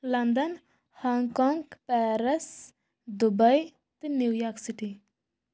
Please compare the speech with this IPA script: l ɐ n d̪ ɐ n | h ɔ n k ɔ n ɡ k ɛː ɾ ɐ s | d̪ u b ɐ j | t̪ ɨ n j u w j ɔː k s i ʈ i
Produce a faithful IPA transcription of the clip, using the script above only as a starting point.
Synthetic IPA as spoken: l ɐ n d̪ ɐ n | h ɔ ŋ k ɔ ŋ ɡ p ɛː ɾ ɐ s | d̪ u b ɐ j | t̪ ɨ n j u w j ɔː k s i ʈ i